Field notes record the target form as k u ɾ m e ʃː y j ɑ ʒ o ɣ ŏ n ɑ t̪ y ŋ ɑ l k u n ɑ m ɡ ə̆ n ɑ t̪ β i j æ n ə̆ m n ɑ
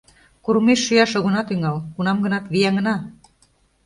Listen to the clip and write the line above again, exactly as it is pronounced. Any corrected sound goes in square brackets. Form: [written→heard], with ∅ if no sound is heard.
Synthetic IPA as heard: k u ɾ m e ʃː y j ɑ [ʒ→ʃ] o ɣ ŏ n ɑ t̪ y ŋ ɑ l k u n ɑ m ɡ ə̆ n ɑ t̪ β i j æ [n→ŋ] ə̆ [m→∅] n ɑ